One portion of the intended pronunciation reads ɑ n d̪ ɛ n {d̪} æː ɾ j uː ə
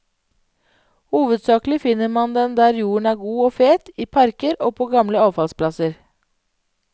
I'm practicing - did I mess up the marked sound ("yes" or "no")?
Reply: no